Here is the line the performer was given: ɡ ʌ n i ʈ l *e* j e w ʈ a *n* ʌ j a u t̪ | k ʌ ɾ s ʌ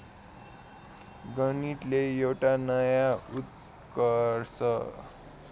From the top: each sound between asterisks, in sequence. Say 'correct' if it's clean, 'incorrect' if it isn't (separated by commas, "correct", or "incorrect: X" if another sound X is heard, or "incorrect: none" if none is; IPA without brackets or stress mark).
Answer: correct, correct